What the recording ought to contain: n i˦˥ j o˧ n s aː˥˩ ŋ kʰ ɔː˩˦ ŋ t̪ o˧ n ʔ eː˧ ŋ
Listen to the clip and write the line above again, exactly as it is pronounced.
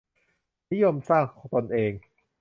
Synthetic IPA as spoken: n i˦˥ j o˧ m s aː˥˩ ŋ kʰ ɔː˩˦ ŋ t̪ o˧ n ʔ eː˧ ŋ